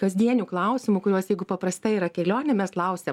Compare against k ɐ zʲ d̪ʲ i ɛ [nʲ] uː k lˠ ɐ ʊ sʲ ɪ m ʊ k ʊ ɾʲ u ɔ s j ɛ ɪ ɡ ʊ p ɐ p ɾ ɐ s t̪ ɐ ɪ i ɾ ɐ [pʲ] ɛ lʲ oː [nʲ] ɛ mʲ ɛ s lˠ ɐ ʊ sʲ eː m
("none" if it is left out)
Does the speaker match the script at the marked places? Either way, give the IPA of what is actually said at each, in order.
nʲ, kʲ, nʲ

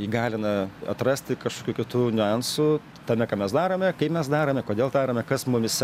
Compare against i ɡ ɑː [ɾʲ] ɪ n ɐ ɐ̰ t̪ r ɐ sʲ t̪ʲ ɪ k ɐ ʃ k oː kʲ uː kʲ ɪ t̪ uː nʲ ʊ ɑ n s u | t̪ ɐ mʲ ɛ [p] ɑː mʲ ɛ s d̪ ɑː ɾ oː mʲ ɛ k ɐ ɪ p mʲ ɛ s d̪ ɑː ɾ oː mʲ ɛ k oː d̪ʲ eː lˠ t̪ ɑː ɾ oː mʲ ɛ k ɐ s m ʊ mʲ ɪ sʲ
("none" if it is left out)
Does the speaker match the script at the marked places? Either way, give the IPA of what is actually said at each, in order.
lʲ, k

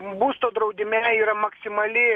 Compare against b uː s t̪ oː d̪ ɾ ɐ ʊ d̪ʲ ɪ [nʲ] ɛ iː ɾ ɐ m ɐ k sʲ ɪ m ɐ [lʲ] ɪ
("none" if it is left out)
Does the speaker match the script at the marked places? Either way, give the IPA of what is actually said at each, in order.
mʲ, lʲ

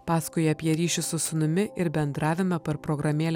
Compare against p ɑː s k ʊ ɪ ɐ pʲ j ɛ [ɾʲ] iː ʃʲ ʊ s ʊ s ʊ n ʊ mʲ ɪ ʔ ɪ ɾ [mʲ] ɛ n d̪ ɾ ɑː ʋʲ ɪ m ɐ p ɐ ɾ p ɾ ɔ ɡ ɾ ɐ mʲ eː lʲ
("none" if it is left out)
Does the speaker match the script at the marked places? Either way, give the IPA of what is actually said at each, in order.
ɾʲ, bʲ

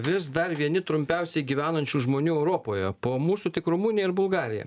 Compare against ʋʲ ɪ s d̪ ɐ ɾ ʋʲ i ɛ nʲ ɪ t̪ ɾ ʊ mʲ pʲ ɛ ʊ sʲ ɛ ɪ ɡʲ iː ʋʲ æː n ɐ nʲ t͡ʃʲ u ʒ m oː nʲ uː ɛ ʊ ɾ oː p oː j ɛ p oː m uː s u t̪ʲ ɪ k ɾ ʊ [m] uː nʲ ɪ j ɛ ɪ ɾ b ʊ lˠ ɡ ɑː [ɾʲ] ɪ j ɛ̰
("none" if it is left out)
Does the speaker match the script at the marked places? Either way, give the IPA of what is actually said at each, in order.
m, ɾʲ

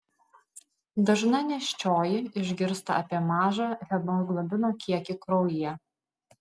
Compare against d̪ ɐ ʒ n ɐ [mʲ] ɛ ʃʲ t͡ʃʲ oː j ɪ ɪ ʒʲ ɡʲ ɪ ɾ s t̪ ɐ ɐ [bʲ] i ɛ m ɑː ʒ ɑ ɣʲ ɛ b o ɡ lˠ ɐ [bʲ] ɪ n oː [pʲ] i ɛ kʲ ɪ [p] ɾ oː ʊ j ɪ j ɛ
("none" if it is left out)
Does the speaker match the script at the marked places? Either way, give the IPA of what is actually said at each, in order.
nʲ, pʲ, bʲ, kʲ, k

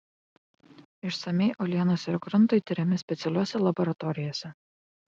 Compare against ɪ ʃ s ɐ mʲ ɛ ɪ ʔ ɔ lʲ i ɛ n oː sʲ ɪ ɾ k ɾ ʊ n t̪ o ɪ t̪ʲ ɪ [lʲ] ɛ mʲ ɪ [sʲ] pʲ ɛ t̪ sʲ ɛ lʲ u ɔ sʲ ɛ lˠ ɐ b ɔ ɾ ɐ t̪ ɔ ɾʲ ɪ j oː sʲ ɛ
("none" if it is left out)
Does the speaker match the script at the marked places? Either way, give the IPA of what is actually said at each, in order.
ɾʲ, sʲ

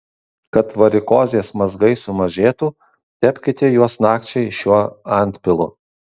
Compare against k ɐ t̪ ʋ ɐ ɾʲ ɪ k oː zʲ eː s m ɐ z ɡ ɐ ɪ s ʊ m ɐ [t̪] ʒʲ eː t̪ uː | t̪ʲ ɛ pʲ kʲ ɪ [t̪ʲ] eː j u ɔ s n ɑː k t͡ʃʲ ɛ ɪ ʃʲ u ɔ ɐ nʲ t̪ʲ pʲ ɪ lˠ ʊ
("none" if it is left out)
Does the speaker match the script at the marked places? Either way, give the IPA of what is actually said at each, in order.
none, t̪ʲ

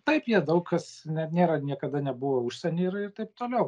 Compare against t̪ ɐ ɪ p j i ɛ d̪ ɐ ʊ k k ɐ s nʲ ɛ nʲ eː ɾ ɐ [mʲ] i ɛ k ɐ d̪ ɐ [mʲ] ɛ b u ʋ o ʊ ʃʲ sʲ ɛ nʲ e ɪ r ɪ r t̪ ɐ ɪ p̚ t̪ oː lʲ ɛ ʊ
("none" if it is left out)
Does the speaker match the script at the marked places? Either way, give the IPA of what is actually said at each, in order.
nʲ, nʲ

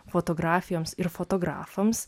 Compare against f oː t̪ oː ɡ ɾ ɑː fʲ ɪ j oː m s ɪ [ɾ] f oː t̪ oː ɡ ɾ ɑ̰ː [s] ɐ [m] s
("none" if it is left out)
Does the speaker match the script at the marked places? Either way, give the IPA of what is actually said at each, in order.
ɾ, f, m

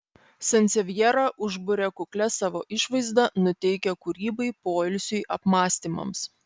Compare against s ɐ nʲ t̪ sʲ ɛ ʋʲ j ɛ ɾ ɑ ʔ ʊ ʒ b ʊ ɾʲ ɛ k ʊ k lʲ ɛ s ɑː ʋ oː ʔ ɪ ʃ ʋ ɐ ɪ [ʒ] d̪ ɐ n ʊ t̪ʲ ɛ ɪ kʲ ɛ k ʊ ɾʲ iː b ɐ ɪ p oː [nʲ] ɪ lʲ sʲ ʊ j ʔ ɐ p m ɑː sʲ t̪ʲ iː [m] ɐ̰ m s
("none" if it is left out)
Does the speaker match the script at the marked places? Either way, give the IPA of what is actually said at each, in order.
z, none, m

